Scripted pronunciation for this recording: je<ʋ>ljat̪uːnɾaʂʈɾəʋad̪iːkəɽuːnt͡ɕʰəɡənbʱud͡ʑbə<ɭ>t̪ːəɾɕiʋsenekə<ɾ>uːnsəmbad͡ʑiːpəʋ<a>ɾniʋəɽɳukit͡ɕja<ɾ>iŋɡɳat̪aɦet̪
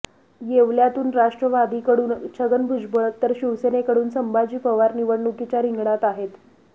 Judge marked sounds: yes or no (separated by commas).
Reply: yes, yes, no, yes, yes